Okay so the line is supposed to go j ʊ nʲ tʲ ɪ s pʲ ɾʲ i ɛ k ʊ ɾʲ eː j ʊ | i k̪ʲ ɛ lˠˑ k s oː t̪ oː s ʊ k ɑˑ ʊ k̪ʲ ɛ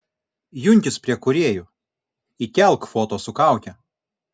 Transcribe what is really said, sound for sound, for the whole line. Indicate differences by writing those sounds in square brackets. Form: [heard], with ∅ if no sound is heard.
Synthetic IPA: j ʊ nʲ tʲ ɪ s pʲ ɾʲ i ɛ k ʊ ɾʲ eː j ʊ | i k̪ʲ ɛ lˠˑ k [f] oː t̪ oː s ʊ k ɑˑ ʊ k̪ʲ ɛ